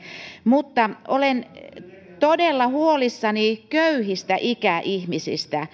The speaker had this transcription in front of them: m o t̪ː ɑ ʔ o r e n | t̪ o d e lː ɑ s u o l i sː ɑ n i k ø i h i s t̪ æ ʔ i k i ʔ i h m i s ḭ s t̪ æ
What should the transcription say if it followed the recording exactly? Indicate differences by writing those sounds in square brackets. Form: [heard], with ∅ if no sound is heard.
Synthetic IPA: m [u] t̪ː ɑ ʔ o [l] e n | t̪ o d e lː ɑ [h] u o l i sː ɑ n i k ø [y] h i s t̪ æ ʔ i k [æ] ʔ i h m i s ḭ s t̪ æ